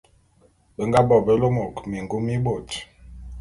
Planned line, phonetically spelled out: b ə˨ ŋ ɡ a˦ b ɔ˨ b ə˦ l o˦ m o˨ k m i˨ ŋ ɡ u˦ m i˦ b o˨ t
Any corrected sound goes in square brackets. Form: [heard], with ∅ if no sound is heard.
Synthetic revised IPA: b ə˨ ŋ ɡ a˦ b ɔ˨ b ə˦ l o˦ m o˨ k m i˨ ŋ ɡ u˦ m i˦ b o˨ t